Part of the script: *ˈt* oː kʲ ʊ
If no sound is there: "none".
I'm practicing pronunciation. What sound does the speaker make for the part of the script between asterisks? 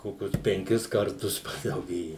k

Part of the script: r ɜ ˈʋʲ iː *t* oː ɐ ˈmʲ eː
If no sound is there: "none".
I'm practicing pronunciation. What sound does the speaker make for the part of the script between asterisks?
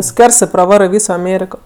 s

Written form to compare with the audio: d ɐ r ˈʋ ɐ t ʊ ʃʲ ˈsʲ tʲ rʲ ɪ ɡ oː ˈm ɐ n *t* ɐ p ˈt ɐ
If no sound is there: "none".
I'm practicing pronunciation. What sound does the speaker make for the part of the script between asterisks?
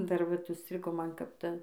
k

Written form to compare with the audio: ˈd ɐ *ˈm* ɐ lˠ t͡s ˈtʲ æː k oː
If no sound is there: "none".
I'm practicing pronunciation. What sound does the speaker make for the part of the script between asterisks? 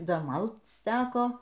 m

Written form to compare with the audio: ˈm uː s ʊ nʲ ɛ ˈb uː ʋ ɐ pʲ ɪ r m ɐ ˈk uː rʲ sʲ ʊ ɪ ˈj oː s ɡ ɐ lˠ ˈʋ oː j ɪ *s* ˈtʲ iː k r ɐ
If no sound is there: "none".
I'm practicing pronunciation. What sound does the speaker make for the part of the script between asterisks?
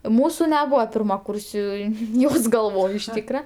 ʃ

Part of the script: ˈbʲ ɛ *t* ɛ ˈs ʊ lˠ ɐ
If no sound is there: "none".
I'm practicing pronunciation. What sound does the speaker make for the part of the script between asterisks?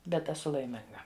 t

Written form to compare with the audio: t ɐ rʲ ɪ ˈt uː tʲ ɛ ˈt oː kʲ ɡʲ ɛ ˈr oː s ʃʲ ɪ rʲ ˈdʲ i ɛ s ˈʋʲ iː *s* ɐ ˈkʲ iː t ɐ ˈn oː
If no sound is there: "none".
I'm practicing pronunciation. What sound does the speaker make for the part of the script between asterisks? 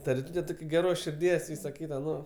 s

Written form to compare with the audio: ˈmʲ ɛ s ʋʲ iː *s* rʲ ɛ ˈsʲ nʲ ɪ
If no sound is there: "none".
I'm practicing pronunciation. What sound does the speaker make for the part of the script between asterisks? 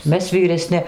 none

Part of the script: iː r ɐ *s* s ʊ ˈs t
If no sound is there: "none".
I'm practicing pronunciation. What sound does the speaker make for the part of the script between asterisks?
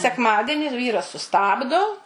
s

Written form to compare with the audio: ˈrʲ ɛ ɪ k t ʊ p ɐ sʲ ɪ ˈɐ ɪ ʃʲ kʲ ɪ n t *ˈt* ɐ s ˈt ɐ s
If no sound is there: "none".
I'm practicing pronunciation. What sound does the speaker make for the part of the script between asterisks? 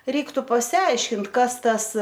k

